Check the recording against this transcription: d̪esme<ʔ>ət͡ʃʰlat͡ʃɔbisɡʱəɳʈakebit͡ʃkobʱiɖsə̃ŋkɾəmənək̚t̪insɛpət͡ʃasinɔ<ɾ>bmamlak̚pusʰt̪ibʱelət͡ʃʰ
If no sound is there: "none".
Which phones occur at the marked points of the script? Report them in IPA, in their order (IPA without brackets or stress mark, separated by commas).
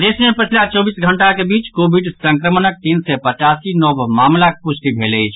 p, none